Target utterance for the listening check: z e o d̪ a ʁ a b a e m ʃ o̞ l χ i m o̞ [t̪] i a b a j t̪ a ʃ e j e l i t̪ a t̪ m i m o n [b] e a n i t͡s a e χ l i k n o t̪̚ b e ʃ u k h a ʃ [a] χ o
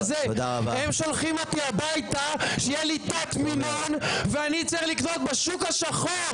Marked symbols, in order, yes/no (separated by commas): yes, no, yes